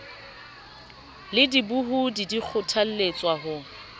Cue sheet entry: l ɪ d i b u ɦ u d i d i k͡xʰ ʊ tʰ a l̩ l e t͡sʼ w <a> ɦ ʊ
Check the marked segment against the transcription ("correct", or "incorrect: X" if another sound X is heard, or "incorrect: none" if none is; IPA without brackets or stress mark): correct